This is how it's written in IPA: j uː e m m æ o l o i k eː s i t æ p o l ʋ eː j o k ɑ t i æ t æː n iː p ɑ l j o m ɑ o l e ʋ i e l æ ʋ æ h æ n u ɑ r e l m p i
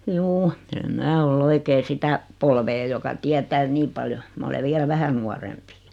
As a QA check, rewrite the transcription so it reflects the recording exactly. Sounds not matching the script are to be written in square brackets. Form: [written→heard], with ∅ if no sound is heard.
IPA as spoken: j uː e m m [æ→æː] o l o i k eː s i t æ p o l ʋ eː j o k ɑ t i æ t æː n iː p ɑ l j o m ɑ o l e ʋ i e l æ ʋ æ h æ n u ɑ r e [l→∅] m p i